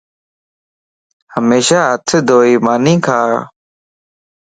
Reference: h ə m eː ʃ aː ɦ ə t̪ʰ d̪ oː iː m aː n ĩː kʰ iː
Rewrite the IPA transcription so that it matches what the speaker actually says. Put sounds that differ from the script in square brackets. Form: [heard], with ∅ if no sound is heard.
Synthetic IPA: h ə m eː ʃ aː ɦ ə t̪ʰ d̪ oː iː m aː n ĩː kʰ [aː]